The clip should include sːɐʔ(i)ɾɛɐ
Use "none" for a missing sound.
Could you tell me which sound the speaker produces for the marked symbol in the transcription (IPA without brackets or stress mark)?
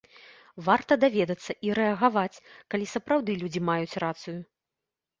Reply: i